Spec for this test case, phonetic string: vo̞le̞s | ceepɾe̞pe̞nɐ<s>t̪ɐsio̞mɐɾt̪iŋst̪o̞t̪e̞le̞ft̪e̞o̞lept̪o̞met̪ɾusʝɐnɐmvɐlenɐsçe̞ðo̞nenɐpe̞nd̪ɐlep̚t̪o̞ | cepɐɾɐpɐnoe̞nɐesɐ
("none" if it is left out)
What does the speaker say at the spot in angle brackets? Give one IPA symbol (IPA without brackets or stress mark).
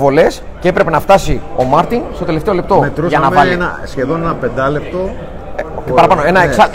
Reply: f